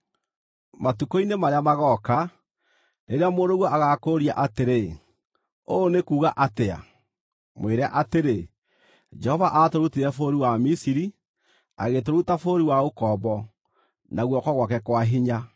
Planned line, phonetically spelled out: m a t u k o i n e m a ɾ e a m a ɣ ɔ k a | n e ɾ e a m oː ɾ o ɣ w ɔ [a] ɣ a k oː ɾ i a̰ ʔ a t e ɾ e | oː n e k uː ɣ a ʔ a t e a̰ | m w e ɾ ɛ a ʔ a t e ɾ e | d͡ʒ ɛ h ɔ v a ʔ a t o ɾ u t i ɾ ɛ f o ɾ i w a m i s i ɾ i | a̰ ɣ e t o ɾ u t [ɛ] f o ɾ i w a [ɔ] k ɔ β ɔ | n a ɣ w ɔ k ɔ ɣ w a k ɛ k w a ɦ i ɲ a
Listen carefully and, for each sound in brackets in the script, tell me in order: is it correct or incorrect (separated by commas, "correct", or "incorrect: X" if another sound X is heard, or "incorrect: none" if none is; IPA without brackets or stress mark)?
correct, incorrect: a, incorrect: o